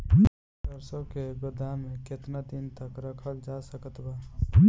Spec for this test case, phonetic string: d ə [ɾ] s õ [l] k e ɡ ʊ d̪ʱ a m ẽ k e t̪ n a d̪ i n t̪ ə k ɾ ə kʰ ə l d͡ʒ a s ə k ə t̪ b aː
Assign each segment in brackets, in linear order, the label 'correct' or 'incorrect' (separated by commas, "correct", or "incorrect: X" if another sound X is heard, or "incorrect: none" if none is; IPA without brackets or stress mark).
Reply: correct, incorrect: none